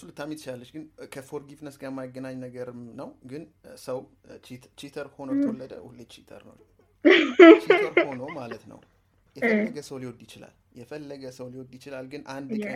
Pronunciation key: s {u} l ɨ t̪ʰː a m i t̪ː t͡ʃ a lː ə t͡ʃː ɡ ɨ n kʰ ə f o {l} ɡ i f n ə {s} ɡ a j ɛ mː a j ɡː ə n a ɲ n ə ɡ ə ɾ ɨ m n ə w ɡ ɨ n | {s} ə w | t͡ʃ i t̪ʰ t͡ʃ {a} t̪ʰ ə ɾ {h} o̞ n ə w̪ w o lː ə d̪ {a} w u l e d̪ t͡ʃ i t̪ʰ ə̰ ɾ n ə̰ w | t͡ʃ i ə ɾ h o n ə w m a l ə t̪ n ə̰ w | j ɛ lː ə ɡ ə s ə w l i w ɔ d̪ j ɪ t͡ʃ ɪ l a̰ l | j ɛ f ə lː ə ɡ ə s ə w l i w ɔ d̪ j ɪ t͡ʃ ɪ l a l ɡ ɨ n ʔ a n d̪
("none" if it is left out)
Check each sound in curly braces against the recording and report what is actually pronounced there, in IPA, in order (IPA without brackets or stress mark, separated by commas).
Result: u, ɾ, s, s, i, h, ə